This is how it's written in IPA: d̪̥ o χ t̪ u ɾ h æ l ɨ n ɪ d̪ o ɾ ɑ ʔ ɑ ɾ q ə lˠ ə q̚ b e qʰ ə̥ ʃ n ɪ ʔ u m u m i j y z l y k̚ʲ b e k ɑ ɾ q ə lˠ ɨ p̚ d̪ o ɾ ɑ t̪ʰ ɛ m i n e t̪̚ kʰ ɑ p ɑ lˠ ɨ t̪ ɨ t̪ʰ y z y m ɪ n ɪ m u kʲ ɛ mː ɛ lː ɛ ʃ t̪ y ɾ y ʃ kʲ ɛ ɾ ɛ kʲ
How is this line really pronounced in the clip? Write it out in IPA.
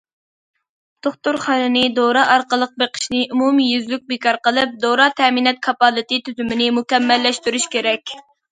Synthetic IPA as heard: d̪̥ o χ t̪ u ɾ χ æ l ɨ n ɪ d̪ o ɾ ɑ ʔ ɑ ɾ q ə lˠ ə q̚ b e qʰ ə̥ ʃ n ɪ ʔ u m u m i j y z l y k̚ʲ b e k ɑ ɾ q ə lˠ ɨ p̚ d̪ o ɾ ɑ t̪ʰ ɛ m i n ɛ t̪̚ kʰ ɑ p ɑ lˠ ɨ t̪ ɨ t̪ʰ y z y m ɪ n ɪ m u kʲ ɛ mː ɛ lː ɛ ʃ t̪ y ɾ y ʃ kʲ e ɾ ɛ kʲ